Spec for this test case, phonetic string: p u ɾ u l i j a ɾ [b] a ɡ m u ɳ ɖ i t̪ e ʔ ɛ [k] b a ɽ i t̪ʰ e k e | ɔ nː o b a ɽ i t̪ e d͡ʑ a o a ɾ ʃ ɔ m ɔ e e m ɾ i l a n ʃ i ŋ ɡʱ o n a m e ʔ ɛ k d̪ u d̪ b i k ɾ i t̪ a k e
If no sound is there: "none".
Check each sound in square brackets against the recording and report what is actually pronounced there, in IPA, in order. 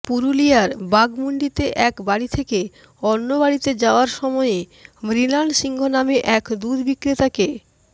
b, k

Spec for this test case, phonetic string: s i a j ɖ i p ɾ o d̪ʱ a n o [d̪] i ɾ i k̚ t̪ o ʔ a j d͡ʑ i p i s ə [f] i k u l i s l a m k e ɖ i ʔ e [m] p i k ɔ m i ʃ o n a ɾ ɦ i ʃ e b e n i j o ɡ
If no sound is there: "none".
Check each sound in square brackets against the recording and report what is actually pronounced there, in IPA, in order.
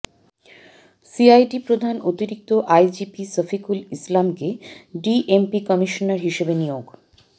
t̪, f, m

